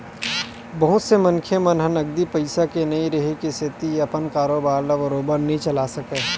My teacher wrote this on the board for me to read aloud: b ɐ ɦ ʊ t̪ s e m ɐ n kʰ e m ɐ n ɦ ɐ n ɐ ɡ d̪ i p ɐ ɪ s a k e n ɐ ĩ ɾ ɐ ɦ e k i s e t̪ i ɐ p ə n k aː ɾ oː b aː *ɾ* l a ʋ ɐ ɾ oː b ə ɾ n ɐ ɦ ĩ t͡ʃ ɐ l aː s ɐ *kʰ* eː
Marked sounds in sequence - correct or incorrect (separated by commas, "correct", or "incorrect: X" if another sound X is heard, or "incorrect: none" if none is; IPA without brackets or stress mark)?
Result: correct, incorrect: k